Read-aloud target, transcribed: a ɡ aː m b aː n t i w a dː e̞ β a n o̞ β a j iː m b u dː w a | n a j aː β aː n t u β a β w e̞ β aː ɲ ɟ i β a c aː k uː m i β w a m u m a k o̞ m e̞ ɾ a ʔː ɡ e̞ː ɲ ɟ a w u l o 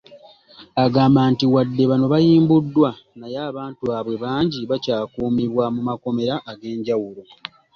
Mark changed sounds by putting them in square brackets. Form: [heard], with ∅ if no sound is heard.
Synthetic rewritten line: a ɡ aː m b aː n t i w a dː e̞ β a n o̞ β a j iː m b u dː w a | n a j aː β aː n t u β a β w e̞ β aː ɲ ɟ i β a c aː k uː m i β w a m u m a k o̞ m e̞ ɾ a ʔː ɡ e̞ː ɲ ɟ a w u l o